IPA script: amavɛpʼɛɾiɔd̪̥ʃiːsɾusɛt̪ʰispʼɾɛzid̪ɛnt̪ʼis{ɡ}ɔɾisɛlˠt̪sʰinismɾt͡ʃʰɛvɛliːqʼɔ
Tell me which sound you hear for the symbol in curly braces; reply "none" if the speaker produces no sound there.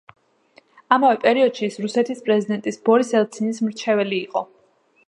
b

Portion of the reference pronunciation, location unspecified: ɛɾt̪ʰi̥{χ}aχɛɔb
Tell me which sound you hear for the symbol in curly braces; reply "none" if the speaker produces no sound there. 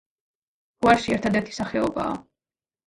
s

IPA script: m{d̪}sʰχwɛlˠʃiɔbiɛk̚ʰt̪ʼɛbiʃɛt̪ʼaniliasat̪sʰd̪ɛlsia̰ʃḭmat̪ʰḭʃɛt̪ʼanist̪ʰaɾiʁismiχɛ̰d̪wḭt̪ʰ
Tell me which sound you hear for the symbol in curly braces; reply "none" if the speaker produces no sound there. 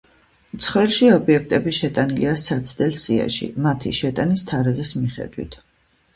t̪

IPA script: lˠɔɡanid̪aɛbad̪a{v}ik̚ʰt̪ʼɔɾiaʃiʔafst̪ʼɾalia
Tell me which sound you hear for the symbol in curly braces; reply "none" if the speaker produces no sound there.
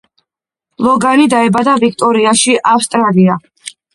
v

